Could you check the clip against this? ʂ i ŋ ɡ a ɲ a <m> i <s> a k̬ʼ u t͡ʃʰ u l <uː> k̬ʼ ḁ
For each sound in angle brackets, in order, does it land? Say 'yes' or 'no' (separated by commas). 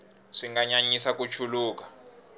no, yes, yes